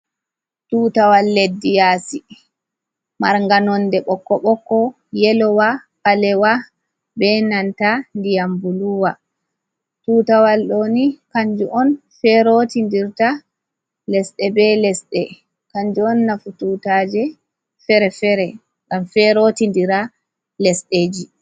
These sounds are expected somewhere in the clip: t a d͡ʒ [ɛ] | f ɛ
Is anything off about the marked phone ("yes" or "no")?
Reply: no